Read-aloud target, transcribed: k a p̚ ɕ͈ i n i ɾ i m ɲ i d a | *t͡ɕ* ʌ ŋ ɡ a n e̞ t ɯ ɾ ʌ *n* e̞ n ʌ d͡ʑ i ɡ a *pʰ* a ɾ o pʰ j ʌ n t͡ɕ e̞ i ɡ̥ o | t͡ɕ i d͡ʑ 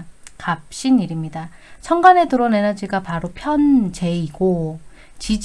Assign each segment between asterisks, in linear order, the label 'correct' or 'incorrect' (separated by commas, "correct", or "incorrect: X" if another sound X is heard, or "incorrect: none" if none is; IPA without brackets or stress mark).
incorrect: t͡ɕʰ, correct, incorrect: p